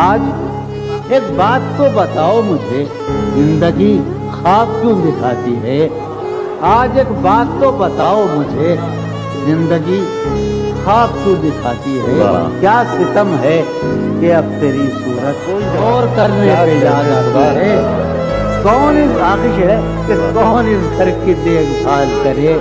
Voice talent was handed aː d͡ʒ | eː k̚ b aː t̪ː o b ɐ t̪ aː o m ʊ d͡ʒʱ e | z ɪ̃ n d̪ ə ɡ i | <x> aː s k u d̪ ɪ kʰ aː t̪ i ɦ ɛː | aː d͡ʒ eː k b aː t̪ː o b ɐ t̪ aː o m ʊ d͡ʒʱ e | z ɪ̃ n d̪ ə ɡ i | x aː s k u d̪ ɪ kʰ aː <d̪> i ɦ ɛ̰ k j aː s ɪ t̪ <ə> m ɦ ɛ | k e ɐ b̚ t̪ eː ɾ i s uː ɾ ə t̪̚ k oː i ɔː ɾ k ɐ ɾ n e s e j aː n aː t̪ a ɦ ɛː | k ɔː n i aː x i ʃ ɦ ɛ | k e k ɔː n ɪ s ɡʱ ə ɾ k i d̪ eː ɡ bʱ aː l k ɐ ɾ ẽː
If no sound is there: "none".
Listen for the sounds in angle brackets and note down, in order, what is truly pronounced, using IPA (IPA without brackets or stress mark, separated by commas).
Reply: x, t̪, ə